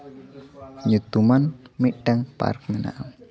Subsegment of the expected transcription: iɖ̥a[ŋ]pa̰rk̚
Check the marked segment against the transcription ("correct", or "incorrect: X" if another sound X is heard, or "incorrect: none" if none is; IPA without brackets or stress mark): correct